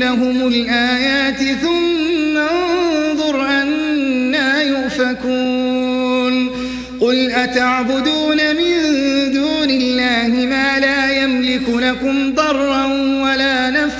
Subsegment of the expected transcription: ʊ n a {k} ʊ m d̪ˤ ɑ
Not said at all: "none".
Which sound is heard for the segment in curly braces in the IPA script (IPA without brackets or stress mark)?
k